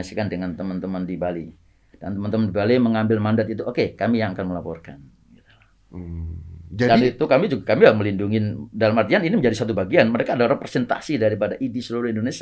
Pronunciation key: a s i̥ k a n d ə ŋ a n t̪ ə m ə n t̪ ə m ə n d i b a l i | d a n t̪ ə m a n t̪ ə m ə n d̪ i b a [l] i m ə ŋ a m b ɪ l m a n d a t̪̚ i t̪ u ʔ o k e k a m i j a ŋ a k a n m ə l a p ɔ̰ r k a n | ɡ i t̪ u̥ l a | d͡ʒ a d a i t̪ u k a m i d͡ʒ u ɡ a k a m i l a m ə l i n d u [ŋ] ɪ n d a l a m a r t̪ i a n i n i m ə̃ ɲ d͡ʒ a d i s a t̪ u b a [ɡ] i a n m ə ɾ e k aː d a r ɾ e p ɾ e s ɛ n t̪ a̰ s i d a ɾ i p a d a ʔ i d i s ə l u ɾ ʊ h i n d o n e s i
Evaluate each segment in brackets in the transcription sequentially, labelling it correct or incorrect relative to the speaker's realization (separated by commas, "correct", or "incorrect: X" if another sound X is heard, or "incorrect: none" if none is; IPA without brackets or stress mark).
correct, correct, correct